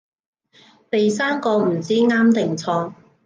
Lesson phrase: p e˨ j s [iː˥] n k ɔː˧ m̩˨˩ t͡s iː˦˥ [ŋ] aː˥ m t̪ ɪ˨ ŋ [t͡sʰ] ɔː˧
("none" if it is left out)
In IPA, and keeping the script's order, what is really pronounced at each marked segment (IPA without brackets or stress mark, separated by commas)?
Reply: aː˥, ŋ, t͡sʰ